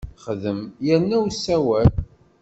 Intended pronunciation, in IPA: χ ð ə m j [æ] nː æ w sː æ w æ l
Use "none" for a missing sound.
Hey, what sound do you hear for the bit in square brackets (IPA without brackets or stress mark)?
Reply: æ